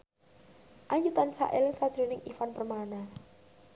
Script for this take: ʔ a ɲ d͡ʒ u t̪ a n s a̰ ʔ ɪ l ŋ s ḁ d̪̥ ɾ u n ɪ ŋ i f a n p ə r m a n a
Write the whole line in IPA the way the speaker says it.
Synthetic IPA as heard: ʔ a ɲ d͡ʒ u t̪ a n s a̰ ʔ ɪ l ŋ s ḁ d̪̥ ɾ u n ɪ ŋ i f a n p ə r m a n a